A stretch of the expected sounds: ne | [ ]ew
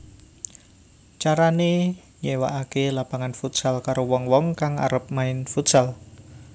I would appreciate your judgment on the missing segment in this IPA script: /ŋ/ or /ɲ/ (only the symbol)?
ɲ